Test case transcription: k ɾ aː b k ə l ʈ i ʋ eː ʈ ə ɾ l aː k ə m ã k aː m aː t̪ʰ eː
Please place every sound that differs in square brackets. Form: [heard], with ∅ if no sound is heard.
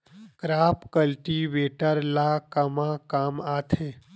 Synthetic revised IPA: k ɾ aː [p] k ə l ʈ i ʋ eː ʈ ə ɾ l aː k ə m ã k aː m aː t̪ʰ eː